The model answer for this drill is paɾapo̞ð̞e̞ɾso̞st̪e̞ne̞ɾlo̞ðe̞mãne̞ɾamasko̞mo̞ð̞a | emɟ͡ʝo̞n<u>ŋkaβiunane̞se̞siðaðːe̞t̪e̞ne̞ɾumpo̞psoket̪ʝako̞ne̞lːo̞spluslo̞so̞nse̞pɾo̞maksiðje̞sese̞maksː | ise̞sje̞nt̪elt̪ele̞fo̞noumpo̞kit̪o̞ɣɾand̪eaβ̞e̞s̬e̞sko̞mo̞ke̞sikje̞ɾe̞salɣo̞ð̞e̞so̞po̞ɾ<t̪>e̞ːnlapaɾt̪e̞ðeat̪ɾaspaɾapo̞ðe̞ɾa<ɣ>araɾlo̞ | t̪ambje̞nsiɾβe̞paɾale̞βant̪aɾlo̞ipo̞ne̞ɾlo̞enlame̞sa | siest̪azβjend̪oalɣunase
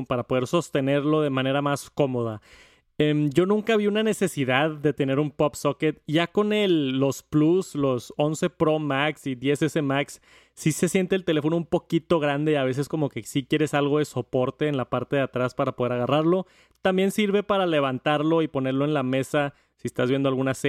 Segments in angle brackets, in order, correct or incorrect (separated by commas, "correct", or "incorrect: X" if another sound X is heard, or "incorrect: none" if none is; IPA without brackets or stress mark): incorrect: ũ, correct, correct